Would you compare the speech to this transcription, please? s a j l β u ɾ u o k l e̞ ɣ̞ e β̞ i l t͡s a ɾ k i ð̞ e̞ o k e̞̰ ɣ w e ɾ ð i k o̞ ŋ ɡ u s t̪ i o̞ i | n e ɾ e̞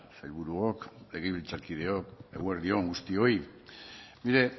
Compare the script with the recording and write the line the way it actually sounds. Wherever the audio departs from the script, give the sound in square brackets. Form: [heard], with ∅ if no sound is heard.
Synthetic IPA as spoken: s a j l β u ɾ u o k l e̞ ɣ̞ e β̞ i l t͡s a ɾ k i ð̞ e̞ o k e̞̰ ɣ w e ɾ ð i [∅] o̞ ŋ ɡ u s t̪ i o̞ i | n [i] ɾ e̞